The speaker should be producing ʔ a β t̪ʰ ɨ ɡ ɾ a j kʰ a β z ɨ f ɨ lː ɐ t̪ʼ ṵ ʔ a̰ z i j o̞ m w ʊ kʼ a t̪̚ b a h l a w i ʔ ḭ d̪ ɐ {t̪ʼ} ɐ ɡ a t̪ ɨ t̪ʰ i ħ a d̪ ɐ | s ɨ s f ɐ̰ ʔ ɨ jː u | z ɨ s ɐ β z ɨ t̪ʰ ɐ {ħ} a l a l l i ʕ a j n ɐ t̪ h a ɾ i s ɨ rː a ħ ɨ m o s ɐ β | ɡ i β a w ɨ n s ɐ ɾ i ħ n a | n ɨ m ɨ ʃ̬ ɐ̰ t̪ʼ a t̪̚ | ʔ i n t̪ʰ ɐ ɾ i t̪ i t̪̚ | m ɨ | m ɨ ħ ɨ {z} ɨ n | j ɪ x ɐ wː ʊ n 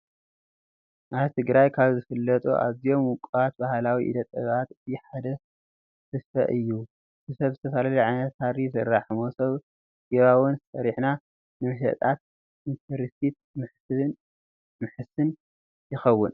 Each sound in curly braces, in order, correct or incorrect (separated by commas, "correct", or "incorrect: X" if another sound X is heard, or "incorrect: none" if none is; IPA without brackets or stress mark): correct, incorrect: s, incorrect: s